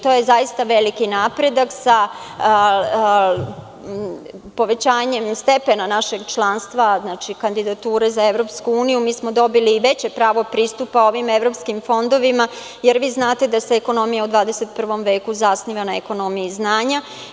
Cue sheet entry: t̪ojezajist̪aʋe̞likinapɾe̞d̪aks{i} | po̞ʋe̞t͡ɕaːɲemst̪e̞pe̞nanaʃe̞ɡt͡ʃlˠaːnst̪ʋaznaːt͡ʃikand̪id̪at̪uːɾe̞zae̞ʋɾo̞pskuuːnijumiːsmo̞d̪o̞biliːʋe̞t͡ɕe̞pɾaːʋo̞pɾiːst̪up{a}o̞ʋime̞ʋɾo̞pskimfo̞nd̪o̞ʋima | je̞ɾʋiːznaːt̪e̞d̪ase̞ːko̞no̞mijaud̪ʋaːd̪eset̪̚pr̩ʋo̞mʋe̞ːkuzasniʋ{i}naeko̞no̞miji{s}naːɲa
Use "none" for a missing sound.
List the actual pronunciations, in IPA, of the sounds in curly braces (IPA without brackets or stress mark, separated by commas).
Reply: a, a, a, z